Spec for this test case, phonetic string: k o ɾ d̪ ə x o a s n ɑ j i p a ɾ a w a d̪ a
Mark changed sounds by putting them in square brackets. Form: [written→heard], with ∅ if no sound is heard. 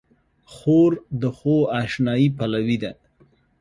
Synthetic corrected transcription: [k→x] o ɾ d̪ ə x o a [s→ʃ] n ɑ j i p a [ɾ→l] a w [a→i] d̪ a